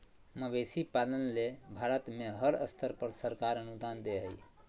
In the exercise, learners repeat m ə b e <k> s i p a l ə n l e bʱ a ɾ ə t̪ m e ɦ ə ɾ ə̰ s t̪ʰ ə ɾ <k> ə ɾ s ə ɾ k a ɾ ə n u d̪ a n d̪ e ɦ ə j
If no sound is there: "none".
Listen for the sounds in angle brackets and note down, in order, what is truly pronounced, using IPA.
none, p

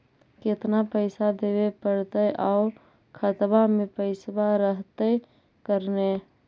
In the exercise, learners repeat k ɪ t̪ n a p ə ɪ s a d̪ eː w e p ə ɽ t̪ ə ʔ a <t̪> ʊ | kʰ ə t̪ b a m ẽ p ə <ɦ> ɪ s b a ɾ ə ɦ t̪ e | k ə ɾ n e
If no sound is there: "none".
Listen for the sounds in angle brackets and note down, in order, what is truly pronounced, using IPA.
none, none

